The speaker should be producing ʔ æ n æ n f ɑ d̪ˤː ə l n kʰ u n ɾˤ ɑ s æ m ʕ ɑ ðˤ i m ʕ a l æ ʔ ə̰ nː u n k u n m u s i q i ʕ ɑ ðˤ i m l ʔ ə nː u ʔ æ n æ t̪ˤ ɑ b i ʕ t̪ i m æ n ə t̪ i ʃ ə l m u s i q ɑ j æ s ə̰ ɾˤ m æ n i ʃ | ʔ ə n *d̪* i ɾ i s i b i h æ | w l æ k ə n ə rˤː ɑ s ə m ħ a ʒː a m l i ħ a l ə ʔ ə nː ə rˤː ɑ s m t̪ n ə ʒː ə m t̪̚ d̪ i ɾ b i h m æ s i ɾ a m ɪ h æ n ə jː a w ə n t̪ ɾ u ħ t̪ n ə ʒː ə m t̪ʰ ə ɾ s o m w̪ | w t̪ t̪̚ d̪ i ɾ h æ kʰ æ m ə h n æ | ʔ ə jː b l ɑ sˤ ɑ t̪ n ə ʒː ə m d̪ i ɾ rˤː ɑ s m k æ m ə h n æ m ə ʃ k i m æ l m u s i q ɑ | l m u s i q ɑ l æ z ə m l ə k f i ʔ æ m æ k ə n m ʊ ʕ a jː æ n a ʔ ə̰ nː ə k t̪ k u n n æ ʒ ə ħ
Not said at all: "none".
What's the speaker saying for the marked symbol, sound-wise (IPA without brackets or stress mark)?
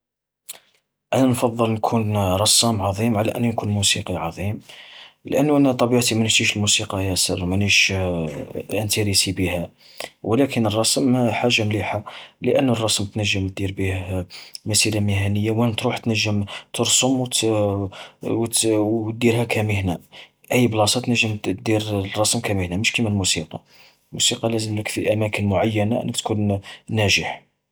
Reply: t̪